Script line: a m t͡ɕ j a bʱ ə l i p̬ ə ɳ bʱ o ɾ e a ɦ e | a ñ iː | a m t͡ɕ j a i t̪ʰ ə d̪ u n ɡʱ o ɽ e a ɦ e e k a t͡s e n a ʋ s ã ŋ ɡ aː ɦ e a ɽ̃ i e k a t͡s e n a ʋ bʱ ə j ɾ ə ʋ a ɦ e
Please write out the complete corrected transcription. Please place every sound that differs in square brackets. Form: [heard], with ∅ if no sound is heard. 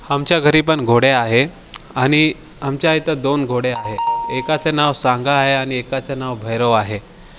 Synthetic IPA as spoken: a m t͡ɕ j a [ɡʱ] ə [ɾ] i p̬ ə ɳ [ɡʱ] o [ɽ] e a ɦ e | a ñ [i] | a m t͡ɕ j a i [t̪] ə d̪ [o] n ɡʱ o ɽ e a ɦ e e k a t͡s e n a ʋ s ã ŋ ɡ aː ɦ e a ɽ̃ i e k a t͡s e n a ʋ bʱ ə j ɾ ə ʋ a ɦ e